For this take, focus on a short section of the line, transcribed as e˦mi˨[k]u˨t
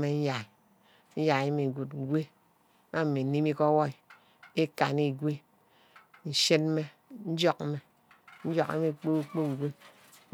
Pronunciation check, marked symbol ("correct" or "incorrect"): incorrect